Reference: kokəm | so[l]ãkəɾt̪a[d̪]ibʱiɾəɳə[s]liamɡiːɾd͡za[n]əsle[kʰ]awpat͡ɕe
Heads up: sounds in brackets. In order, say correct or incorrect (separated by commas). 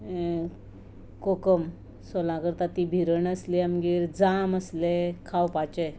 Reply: correct, incorrect, correct, incorrect, correct